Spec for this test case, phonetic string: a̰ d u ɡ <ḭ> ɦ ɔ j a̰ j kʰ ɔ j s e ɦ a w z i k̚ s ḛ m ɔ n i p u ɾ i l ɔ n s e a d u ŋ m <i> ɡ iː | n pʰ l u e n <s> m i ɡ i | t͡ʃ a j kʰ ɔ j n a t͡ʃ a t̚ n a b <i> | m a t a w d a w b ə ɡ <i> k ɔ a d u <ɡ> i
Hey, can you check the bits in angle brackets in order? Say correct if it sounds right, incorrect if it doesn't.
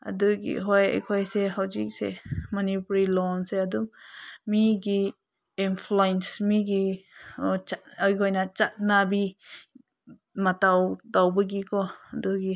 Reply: correct, correct, correct, correct, correct, correct

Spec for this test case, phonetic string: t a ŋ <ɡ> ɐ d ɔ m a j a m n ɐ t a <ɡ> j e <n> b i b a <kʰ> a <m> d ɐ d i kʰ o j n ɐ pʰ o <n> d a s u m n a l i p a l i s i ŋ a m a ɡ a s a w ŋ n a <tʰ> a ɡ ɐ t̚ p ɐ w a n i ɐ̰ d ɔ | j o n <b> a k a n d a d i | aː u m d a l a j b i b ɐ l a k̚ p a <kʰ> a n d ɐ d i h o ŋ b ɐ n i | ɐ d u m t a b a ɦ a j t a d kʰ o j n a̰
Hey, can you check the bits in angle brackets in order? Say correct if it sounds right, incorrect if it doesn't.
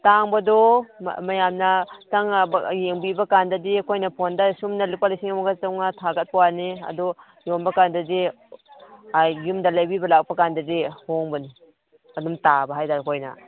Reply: incorrect: b, incorrect: ŋ, incorrect: ŋ, incorrect: k, incorrect: n, correct, correct, correct, incorrect: k

